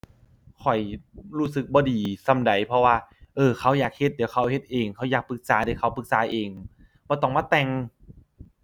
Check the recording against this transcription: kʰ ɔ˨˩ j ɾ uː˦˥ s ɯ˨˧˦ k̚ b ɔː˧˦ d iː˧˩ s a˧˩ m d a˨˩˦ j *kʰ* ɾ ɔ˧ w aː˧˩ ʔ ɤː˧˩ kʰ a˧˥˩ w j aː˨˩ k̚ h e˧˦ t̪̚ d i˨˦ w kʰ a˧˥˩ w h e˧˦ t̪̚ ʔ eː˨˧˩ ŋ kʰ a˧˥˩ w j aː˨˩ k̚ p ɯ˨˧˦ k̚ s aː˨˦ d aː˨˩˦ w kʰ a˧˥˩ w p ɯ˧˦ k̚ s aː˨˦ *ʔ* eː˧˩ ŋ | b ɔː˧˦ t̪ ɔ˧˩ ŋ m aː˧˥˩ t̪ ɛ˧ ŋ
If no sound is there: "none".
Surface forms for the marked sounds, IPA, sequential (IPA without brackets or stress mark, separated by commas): pʰ, ʔ